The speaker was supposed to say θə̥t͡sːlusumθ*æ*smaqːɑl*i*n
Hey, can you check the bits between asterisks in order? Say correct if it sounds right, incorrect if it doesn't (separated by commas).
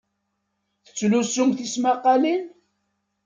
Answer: incorrect, correct